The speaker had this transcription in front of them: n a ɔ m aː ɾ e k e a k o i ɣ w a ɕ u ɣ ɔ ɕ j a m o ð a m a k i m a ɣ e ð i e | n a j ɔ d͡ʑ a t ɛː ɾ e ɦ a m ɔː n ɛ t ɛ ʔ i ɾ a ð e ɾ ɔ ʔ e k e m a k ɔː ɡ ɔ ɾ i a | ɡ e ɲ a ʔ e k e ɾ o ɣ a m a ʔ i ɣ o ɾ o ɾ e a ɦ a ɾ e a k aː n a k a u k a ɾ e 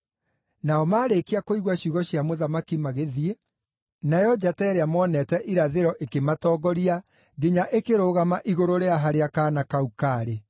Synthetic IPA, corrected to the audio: n a ɔ m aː ɾ e k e a k o i ɣ w a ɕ u ɣ ɔ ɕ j a m o ð a m a k i m a ɣ e ð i e | n a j ɔ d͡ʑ a t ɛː ɾ e a m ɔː n ɛ t ɛ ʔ i ɾ a ð e ɾ ɔ ʔ e k e m a t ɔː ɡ ɔ ɾ i a | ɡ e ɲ a ʔ e k e ɾ o ɣ a m a ʔ i ɣ o ɾ o ɾ e a ɦ a ɾ e a k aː n a k a u k a ɾ e